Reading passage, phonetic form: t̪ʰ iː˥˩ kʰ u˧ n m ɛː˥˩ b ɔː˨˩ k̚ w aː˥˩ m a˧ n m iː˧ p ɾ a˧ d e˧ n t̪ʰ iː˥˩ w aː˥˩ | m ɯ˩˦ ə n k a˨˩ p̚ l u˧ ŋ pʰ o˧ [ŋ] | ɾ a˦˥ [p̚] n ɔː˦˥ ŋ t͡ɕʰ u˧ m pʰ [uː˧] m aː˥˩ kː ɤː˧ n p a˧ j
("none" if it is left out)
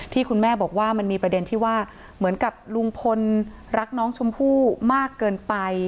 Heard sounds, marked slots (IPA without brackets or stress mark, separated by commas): n, k̚, uː˥˩